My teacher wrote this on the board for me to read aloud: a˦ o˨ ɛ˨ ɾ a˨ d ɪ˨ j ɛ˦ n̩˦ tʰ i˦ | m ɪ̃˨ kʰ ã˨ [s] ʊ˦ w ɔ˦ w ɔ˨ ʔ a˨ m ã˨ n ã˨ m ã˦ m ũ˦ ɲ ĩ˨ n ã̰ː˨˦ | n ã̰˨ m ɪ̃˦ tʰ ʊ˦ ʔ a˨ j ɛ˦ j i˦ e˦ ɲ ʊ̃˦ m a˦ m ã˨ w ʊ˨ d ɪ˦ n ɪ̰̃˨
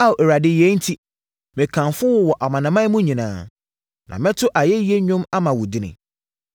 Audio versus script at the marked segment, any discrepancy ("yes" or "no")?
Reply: yes